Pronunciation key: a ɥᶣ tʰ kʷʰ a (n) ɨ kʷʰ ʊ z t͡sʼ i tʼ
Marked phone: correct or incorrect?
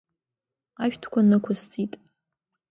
correct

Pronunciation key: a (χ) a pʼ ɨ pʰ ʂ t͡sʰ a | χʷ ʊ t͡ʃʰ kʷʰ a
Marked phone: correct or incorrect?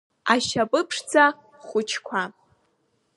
incorrect: ʃ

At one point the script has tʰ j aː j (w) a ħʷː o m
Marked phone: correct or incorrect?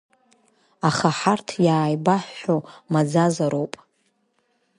incorrect: b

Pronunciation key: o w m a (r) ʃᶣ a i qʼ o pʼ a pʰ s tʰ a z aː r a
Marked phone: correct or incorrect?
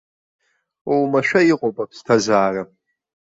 incorrect: none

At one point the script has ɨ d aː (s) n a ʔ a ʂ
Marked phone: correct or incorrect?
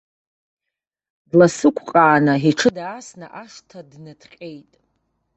correct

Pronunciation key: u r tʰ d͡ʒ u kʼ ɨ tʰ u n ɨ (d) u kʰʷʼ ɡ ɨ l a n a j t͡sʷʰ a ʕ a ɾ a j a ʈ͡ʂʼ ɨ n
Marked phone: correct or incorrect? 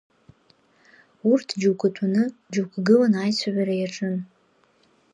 incorrect: d͡ʒ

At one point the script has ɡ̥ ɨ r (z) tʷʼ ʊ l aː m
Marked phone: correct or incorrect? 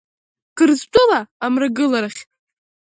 correct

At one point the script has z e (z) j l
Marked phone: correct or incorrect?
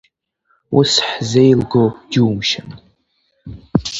incorrect: none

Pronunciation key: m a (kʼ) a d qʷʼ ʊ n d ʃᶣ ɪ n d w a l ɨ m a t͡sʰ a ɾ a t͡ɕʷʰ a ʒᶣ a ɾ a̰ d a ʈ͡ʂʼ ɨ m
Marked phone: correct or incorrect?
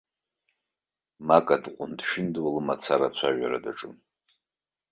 correct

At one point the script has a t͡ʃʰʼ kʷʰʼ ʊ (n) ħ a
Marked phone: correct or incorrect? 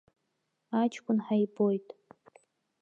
correct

